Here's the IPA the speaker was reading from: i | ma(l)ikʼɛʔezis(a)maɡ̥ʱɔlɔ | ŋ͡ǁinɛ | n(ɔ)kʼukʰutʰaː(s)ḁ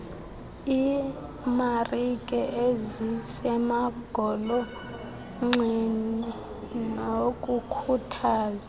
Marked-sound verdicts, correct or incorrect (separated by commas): incorrect, incorrect, incorrect, incorrect